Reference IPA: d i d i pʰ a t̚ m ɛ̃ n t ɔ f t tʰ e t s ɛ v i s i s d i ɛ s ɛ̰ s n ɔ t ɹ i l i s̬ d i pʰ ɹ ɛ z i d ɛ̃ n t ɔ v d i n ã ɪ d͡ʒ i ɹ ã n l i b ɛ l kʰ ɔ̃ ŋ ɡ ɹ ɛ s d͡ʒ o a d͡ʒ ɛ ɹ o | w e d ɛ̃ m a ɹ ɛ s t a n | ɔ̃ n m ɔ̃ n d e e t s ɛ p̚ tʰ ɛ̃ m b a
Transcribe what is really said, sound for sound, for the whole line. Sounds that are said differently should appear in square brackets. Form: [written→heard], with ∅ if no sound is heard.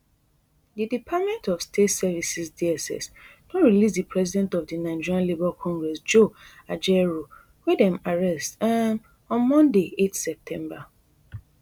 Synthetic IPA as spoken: d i d i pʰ a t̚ m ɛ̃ n t ɔ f [t→s] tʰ e t s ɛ v i s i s d i ɛ s ɛ̰ s n ɔ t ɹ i l i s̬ d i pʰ ɹ ɛ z i d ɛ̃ n t ɔ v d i n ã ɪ d͡ʒ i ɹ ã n l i b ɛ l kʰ ɔ̃ ŋ ɡ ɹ ɛ s d͡ʒ o a d͡ʒ ɛ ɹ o | w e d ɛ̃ m a ɹ ɛ s t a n | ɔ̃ n m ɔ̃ n d e e t s ɛ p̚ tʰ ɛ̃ m b a